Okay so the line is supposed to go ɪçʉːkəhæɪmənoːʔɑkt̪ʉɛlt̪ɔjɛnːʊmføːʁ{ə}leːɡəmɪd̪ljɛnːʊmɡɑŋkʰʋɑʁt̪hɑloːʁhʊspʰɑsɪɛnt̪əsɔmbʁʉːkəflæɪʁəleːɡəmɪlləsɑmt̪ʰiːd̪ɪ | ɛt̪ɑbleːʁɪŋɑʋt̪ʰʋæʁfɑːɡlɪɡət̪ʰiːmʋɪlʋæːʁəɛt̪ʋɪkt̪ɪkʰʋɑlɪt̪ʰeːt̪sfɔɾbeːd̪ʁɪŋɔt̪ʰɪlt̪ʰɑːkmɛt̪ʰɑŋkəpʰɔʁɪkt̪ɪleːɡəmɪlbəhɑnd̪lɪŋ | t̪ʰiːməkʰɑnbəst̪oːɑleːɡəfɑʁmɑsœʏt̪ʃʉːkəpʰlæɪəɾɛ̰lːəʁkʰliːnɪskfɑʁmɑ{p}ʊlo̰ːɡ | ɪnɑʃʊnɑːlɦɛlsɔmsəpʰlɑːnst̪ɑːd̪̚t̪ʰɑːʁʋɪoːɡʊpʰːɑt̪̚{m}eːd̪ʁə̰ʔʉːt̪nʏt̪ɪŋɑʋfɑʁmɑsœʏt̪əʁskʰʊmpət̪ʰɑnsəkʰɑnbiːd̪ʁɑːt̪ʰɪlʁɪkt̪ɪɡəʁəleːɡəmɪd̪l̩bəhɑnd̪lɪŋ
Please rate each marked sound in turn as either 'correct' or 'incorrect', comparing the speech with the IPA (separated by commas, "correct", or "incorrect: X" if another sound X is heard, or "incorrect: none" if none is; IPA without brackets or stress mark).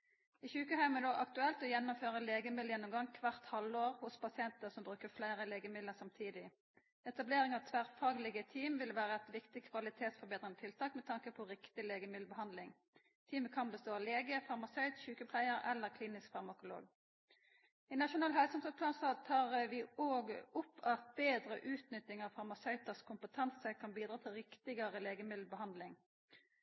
correct, incorrect: k, incorrect: b